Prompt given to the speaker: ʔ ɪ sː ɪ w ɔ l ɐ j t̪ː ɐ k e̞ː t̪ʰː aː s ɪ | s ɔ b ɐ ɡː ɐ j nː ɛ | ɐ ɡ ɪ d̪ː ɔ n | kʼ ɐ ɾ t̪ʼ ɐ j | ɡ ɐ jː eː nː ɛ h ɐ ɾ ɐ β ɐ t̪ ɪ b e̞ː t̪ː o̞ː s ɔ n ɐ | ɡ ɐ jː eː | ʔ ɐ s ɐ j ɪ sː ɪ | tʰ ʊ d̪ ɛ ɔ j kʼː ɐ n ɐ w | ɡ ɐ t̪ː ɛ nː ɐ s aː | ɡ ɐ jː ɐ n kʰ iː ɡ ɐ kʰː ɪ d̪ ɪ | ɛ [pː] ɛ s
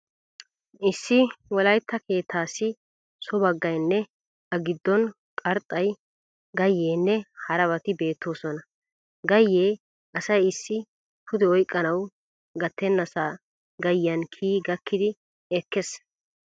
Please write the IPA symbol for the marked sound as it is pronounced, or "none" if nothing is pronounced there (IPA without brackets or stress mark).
kː